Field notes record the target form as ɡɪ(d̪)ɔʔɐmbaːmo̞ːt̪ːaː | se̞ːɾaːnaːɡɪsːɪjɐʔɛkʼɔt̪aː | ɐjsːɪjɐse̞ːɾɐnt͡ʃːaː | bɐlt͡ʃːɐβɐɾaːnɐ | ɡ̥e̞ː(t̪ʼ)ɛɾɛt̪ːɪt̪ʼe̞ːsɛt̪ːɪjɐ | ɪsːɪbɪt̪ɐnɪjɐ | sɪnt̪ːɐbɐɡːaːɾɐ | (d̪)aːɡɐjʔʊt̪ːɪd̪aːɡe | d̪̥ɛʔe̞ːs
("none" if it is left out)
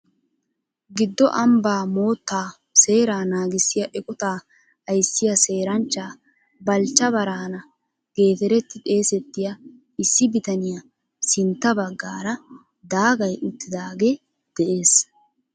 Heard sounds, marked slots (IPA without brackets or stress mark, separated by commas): d̪ː, t̪, d̪